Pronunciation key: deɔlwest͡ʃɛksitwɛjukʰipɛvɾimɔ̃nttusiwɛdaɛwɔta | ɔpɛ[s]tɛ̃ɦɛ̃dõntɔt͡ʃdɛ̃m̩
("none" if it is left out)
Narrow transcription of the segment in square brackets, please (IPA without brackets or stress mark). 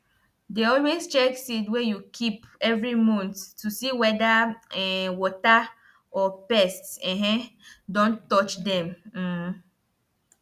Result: s